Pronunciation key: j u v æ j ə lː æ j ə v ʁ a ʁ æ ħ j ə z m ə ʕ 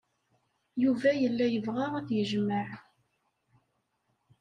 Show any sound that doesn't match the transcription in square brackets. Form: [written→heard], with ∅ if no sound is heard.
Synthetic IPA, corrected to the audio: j u v æ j ə lː æ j ə v ʁ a ʁ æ [ħ→θ] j ə [z→ʒ] m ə ʕ